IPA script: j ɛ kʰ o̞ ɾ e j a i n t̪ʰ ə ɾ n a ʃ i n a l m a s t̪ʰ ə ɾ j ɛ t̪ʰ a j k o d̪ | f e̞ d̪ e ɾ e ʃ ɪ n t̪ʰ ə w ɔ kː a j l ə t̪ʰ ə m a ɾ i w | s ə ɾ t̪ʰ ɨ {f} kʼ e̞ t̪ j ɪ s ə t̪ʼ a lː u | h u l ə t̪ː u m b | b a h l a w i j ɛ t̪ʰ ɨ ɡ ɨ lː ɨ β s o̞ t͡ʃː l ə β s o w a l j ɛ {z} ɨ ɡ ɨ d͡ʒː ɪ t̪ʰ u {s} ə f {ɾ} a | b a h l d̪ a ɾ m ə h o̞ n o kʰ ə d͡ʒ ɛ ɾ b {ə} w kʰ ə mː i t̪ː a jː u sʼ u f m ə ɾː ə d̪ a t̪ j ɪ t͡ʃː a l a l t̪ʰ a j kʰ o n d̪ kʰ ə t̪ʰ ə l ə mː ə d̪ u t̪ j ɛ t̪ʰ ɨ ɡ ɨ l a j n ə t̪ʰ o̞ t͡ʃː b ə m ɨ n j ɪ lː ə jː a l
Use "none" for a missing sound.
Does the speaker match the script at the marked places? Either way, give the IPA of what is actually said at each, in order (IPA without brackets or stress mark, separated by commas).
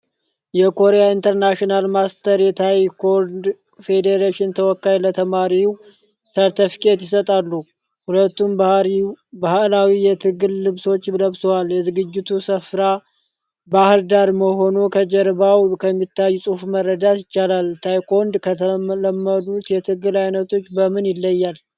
f, z, s, ɾ, a